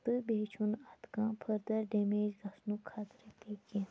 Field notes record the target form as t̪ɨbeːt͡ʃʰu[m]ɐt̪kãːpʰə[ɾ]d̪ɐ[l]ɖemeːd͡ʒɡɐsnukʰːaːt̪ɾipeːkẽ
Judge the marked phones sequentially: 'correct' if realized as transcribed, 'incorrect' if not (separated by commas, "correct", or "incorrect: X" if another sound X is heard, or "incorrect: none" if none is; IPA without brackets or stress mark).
incorrect: n, correct, incorrect: ɾ